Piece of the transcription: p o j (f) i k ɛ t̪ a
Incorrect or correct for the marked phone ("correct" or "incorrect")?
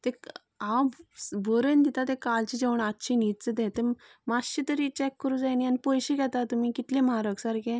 incorrect